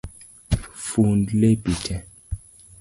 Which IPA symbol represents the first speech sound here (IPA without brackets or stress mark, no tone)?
f